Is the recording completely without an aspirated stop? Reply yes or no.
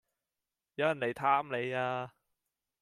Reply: no